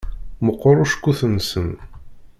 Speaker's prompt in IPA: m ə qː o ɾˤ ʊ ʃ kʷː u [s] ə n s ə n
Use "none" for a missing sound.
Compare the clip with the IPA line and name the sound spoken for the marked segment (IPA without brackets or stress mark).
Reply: θ